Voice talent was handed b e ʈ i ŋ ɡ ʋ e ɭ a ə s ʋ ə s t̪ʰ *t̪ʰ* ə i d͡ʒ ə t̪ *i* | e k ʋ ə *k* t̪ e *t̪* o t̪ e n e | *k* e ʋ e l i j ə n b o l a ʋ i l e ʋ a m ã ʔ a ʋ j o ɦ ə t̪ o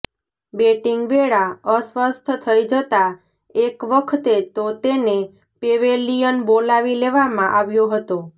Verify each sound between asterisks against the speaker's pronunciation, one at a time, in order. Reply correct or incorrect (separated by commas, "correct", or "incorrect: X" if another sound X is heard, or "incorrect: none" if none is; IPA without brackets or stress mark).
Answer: correct, incorrect: a, incorrect: kʰ, correct, incorrect: p